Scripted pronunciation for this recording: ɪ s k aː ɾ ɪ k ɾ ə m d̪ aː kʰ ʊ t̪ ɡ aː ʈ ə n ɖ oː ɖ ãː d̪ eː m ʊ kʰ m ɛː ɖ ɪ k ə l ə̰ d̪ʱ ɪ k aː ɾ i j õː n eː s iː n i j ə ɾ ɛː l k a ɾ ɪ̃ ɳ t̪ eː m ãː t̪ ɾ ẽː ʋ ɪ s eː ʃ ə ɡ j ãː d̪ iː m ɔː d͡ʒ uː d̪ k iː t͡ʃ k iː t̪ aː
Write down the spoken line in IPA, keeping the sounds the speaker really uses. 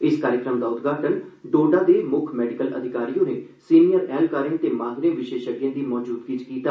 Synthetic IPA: ɪ s k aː ɾ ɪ k ɾ ə m d̪ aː ʊ t̪ ɡ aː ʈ ə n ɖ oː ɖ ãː d̪ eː m ʊ kʰ m ɛː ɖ ɪ k ə l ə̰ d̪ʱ ɪ k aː ɾ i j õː n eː s iː n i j ə ɾ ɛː l k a ɾ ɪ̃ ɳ t̪ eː m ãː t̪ ɾ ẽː ʋ ɪ ʃ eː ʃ ə ɡ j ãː d̪ iː m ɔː d͡ʒ uː d̪ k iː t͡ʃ k iː t̪ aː